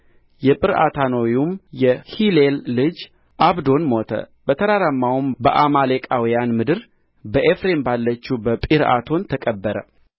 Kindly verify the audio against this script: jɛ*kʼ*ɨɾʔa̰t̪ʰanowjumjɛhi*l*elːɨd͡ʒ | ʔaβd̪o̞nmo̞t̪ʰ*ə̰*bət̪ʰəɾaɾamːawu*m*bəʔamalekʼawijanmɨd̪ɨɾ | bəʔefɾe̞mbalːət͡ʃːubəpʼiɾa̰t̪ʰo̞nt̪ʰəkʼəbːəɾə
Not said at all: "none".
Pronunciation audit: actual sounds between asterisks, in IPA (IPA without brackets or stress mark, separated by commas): pʼ, l, ə̰, m